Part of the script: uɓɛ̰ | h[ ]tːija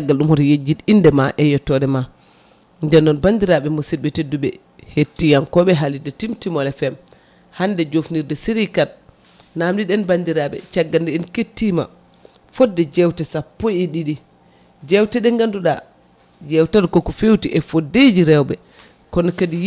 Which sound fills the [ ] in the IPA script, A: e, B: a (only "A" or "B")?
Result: A